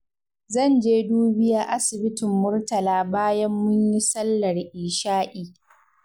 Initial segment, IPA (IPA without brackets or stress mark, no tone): z